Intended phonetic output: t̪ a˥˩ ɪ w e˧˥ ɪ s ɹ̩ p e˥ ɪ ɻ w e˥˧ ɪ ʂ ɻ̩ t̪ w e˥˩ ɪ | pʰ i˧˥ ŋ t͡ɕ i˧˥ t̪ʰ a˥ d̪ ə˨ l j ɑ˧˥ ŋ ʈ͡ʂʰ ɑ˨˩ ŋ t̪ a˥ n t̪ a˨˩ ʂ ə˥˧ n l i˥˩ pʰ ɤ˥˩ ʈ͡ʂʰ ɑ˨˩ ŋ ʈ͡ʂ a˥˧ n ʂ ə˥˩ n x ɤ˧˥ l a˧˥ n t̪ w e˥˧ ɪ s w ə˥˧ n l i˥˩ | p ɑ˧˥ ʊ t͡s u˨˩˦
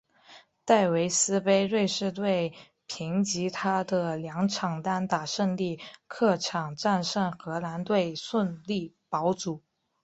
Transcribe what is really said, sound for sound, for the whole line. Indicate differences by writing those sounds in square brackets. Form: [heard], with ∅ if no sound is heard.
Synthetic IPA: t̪ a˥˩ ɪ w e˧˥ ɪ s ɹ̩ p e˥ ɪ ɻ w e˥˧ ɪ ʂ ɻ̩ t̪ w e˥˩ ɪ | pʰ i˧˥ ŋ t͡ɕ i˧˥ t̪ʰ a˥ d̪ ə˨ l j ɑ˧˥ ŋ ʈ͡ʂʰ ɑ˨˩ ŋ t̪ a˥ n t̪ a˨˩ ʂ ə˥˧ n l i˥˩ [kʰ] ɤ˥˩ ʈ͡ʂʰ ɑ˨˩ ŋ ʈ͡ʂ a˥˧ n ʂ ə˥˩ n x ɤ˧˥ l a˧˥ n t̪ w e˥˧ ɪ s w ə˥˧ n l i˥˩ | p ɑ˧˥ ʊ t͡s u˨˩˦